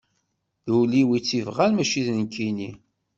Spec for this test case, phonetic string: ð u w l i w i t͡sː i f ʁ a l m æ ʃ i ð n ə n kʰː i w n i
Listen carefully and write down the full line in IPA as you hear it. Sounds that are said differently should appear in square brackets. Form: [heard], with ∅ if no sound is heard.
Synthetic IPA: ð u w l i w i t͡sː i [v] ʁ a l m æ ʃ i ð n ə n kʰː i [∅] n i